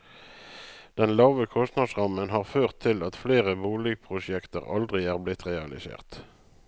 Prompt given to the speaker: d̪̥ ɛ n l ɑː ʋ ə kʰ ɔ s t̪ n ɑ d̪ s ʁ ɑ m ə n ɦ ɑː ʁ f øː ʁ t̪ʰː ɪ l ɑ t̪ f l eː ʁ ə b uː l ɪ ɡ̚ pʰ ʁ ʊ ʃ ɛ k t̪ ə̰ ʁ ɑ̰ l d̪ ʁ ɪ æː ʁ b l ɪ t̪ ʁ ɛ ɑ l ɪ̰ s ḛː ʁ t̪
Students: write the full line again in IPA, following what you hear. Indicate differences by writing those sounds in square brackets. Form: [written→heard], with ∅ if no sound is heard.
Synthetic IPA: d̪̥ ɛ n l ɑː ʋ ə kʰ ɔ s t̪ n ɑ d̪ s ʁ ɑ m ə n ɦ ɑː ʁ f øː ʁ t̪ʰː ɪ l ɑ t̪ f l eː ʁ ə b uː l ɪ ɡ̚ pʰ ʁ ʊ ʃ ɛ k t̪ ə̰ ʁ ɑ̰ l d̪ ʁ ɪ æː ʁ b l ɪ t̪ ʁ ɛ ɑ l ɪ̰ s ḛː ʁ t̪